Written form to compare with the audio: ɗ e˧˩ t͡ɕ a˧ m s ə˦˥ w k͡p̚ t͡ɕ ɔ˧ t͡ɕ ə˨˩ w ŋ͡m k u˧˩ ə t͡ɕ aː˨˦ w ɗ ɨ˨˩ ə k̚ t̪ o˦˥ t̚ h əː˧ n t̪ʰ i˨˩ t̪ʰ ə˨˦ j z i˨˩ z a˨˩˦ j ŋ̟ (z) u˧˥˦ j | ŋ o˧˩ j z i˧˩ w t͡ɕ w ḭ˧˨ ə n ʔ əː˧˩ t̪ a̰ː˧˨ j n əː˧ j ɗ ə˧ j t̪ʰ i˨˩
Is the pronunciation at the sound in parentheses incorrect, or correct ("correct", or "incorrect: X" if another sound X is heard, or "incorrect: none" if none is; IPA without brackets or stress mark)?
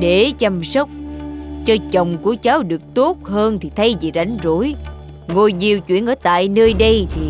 correct